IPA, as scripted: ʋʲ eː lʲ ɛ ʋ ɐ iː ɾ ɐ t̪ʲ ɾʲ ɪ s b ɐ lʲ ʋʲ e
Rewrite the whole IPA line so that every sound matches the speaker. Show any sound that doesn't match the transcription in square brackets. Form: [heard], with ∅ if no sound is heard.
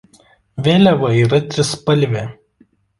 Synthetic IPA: ʋʲ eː lʲ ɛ ʋ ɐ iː ɾ ɐ t̪ʲ ɾʲ ɪ s [p] ɐ lʲ ʋʲ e